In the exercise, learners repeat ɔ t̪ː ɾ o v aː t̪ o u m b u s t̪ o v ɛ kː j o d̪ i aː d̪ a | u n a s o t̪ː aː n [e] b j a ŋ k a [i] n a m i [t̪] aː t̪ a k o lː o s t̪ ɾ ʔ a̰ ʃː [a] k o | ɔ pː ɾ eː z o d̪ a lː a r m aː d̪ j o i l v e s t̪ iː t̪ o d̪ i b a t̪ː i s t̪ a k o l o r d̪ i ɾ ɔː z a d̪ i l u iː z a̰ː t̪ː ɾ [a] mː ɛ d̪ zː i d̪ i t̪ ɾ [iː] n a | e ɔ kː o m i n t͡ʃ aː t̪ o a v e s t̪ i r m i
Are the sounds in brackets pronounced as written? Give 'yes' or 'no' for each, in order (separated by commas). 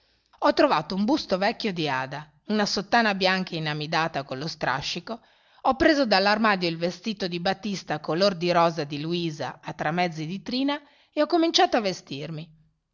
no, yes, no, no, yes, yes